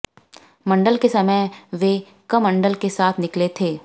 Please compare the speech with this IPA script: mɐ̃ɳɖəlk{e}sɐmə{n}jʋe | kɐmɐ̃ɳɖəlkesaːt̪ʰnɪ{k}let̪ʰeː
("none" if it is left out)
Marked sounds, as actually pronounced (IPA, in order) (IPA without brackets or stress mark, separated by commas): e, none, k